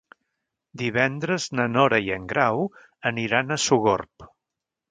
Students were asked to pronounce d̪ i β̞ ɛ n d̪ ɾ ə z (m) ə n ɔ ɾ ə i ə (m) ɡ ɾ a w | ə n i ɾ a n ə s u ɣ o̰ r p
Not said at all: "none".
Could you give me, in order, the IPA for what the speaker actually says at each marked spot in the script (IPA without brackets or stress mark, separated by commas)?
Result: n, ŋ